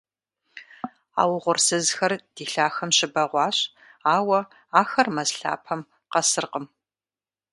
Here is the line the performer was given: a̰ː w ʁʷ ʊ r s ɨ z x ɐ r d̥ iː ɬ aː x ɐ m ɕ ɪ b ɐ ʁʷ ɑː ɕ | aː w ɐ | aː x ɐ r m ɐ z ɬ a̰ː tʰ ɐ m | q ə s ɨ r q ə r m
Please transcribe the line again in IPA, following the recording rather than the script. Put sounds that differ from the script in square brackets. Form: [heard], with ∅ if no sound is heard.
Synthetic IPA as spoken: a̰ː w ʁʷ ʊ r s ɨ z x ɐ r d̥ iː ɬ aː x ɐ m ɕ ɪ b ɐ ʁʷ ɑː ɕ | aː w ɐ | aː x ɐ r m ɐ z ɬ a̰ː [pʰ] ɐ m | q [ɐ] s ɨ r q ə [∅] m